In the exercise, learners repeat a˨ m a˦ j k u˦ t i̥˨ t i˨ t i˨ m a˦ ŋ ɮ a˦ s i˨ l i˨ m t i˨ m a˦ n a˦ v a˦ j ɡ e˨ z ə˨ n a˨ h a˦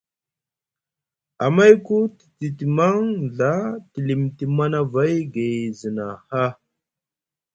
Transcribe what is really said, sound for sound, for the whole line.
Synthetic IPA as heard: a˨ m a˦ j k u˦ t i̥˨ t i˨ t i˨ m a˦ ŋ ɮ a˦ t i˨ l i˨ m t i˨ m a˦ n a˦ v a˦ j ɡ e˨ z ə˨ n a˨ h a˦